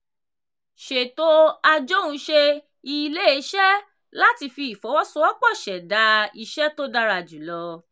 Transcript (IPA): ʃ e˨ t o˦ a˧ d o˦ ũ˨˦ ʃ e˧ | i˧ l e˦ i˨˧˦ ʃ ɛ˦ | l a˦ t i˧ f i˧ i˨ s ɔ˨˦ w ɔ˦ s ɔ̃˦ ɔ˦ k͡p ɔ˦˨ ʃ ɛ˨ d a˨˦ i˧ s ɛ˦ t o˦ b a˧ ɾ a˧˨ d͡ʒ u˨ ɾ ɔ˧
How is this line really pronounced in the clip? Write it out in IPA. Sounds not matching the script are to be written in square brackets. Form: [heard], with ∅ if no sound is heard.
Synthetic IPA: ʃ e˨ t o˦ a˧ [d͡ʒ] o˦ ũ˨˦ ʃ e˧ | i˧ l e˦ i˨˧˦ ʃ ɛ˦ | l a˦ t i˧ f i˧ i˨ [f] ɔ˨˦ w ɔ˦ s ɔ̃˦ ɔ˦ k͡p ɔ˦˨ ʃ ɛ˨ d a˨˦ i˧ [ʃ] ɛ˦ t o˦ [d] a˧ ɾ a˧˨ d͡ʒ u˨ [l] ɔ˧